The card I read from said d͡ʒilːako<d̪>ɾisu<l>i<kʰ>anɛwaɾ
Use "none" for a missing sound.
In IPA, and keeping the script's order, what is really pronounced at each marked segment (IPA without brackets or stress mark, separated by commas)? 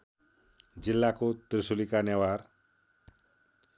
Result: t̪, l, k